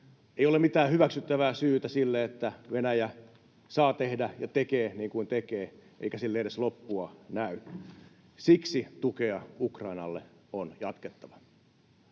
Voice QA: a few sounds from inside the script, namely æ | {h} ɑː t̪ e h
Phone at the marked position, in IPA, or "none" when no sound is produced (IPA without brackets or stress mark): s